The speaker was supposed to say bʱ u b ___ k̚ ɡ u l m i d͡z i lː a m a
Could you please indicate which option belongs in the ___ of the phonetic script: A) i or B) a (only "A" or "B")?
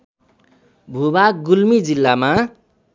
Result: B